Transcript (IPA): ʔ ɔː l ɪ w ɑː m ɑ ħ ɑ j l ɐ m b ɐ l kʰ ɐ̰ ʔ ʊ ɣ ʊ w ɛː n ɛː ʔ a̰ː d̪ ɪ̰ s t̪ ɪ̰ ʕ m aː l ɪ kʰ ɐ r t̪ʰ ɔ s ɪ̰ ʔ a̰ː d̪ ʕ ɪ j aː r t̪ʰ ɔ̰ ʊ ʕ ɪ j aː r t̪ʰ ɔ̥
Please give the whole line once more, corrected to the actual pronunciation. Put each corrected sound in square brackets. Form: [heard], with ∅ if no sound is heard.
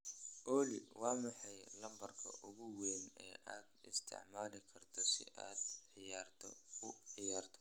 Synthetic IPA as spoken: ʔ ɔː l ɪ w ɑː m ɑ ħ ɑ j l ɐ m b ɐ [r] kʰ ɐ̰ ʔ ʊ ɣ ʊ w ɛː n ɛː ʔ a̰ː d̪ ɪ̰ s [t̪ʰ] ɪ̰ ʕ m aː l ɪ kʰ ɐ r t̪ʰ ɔ s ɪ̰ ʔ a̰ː d̪ ʕ ɪ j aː r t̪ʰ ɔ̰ ʊ ʕ ɪ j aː r t̪ʰ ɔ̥